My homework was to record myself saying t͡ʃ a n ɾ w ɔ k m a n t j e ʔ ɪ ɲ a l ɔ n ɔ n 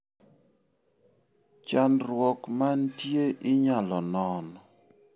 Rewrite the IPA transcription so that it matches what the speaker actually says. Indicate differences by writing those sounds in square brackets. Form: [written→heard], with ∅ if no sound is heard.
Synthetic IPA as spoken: t͡ʃ a n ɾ w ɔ k m a n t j e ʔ ɪ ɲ a l ɔ n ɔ n